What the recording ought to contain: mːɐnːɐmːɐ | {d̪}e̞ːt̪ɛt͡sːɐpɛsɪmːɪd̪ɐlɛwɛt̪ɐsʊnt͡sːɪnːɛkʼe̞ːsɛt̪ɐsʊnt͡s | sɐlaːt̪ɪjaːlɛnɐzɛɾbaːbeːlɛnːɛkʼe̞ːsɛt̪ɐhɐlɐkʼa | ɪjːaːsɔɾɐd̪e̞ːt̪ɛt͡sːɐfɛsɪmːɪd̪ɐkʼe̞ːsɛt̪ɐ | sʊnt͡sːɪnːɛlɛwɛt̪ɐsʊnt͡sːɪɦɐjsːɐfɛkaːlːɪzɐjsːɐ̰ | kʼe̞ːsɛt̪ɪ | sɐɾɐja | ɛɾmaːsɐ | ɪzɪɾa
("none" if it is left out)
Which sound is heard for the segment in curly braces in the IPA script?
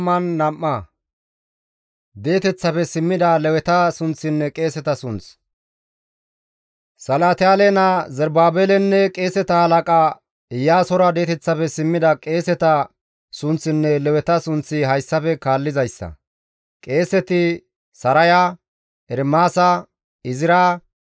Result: d̪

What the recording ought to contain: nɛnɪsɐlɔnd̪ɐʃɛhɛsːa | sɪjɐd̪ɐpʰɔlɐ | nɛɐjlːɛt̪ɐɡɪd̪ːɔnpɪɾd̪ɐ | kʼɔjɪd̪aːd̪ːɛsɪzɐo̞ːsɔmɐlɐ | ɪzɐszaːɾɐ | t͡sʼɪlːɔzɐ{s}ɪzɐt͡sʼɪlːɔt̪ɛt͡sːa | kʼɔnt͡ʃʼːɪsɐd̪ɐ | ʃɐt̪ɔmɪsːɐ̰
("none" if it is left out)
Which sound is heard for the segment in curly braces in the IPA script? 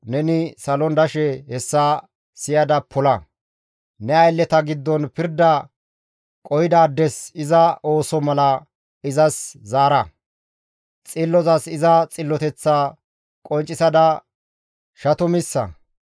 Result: s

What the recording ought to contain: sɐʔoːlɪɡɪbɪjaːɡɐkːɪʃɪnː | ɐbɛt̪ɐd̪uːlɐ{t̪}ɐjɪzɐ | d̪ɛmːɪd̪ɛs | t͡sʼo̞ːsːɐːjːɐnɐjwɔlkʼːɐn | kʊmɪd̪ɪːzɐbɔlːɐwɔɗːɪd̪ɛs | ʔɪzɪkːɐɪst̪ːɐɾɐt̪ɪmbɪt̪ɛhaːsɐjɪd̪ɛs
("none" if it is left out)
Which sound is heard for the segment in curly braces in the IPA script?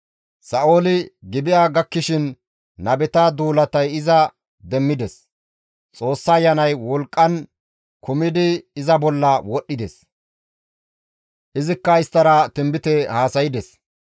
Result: t̪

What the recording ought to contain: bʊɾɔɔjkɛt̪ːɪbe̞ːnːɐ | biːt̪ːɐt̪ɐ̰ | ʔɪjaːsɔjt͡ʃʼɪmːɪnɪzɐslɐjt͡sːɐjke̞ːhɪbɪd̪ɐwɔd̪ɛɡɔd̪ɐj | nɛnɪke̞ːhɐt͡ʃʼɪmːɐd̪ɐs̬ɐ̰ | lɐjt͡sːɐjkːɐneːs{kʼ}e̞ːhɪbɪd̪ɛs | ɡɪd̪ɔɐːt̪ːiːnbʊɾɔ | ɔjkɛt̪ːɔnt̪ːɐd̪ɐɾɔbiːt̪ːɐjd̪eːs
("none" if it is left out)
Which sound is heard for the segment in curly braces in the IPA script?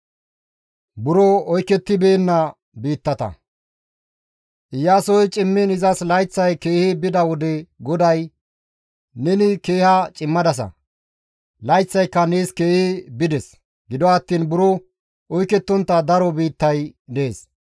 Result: k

